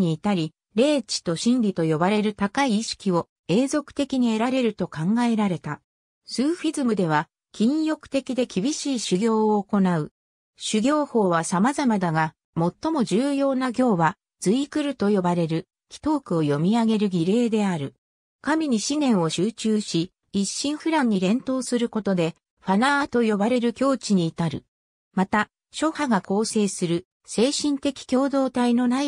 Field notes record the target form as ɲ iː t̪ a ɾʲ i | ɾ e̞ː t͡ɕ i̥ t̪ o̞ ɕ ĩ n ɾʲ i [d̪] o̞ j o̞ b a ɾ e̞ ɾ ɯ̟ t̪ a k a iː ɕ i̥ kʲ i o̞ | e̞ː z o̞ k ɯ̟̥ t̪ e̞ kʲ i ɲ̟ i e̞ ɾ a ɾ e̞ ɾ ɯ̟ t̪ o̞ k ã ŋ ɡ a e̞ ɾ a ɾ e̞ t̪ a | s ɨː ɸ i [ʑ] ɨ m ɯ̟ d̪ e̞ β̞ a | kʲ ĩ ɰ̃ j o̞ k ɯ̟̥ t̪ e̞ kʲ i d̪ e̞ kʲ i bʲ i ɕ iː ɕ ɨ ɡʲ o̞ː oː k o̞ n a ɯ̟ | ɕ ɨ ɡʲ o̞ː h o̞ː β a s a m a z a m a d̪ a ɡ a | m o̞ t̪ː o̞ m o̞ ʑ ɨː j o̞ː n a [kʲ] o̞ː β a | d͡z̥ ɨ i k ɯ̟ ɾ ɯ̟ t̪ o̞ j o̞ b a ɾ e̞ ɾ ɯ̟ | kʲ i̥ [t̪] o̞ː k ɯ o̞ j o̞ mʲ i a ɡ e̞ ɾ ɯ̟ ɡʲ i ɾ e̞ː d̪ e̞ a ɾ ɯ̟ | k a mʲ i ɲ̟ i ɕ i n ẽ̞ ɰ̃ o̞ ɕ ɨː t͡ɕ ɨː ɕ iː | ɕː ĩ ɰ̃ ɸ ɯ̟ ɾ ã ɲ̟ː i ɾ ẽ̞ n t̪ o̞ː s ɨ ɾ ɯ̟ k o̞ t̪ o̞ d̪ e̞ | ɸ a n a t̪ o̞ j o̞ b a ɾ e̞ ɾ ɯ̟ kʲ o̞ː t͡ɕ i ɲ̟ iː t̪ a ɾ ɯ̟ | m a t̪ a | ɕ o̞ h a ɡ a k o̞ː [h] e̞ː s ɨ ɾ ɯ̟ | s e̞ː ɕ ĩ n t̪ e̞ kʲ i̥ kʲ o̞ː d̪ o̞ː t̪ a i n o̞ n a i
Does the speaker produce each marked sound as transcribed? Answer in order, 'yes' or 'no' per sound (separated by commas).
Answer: no, no, no, yes, no